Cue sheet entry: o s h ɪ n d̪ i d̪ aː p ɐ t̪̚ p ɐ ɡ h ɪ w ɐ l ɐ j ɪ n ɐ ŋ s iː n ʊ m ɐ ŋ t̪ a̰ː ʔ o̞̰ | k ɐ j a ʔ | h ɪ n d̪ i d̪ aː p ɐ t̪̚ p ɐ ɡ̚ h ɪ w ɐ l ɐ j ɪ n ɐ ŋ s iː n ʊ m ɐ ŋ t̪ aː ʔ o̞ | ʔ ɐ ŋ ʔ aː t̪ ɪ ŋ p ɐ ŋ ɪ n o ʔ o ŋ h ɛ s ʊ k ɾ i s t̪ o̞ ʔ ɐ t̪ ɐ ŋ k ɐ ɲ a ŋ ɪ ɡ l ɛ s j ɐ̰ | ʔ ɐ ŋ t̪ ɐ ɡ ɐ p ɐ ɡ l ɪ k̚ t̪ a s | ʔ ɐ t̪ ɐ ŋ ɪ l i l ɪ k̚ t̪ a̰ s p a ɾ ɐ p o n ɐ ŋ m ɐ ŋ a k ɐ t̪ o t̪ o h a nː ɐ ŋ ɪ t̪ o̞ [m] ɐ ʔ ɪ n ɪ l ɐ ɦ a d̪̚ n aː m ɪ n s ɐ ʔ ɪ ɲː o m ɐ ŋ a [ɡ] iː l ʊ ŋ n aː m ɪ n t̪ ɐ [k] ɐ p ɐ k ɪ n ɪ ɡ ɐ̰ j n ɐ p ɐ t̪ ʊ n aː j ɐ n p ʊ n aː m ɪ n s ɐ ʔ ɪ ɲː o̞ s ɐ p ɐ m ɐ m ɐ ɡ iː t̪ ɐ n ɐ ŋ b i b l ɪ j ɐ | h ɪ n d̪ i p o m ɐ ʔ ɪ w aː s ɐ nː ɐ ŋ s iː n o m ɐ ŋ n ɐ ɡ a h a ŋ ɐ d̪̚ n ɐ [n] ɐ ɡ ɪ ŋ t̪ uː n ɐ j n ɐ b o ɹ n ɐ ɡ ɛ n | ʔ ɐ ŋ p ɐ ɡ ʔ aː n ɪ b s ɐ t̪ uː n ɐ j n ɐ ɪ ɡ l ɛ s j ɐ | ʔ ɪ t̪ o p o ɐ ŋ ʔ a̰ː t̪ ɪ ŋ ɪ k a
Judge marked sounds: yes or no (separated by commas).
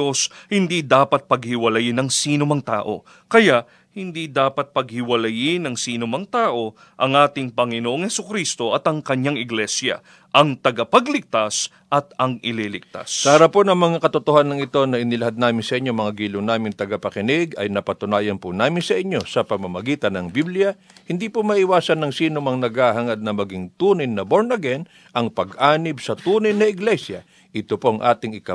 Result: no, yes, no, no